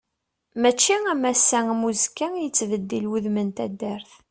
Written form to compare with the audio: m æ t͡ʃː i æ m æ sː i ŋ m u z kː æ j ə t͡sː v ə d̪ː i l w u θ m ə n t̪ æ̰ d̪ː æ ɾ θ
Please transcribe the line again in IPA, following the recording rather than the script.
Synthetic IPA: m æ t͡ʃː i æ m æ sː æ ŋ m u z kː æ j ə t͡sː v ə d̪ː i l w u ð m ə n t̪ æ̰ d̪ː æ ɾ θ

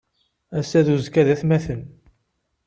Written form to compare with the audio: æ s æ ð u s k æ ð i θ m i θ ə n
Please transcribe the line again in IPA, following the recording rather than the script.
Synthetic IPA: æ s æ ð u z k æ ð æ θ m æ θ ə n

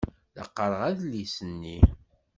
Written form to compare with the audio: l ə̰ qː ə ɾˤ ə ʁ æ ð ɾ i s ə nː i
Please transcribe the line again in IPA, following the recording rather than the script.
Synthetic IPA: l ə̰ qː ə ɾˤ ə ʁ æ ð l i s ə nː i

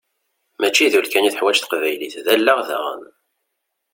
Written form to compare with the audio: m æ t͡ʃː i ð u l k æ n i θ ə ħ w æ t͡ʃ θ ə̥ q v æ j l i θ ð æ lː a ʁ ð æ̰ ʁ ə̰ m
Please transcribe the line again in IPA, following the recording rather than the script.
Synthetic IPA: m æ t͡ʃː i ð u l k æ n i θ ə ħ w æ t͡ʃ θ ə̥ q v æ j l i θ ð æ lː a ʁ ð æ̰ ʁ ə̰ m

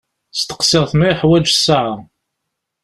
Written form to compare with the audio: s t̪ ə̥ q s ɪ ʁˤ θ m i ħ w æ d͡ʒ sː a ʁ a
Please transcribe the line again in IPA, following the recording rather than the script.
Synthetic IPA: s t̪ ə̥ q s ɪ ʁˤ θ m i ħ w æ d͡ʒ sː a ʕ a

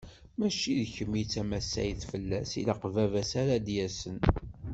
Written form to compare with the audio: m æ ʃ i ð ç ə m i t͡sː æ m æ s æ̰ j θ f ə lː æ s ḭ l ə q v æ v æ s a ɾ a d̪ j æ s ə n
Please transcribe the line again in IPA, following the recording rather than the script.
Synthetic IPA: m æ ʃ i ð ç ə m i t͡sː æ m æ s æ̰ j θ f ə lː æ s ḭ l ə q v æ v æ s a ɾ a d̪ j æ s ə n

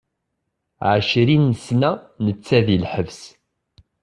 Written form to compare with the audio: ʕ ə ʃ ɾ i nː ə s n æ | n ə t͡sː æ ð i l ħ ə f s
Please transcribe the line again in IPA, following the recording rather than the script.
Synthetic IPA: ʕ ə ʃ ɾ i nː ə s n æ | n ə t͡sː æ ð i l ħ ə v s

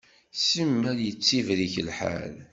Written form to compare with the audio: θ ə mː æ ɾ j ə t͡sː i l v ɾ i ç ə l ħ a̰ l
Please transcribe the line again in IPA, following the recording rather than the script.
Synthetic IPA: s ə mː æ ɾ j ə t͡sː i v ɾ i ç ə l ħ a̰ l

